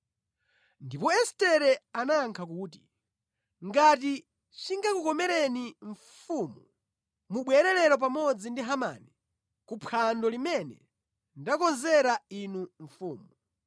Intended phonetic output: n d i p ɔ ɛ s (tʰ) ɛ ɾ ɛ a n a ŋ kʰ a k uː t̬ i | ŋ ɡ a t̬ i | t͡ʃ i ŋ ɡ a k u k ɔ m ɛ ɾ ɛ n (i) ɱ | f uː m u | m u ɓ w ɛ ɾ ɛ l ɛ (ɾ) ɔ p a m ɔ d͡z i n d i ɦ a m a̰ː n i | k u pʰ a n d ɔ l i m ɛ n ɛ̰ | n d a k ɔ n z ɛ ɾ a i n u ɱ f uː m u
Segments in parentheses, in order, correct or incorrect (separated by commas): incorrect, correct, correct